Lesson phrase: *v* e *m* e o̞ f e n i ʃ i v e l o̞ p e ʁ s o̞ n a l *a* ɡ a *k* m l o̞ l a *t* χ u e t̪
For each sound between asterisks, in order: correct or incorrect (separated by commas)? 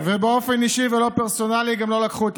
correct, incorrect, incorrect, incorrect, incorrect